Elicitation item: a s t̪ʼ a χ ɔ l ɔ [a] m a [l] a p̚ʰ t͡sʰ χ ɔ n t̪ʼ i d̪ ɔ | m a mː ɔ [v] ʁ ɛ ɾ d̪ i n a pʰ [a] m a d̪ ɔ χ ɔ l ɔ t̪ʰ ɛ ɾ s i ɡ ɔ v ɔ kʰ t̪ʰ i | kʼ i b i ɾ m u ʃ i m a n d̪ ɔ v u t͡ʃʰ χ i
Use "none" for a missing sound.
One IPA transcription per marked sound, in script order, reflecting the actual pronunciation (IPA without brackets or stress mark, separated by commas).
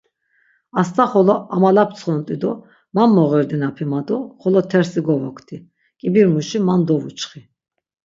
a, l, none, i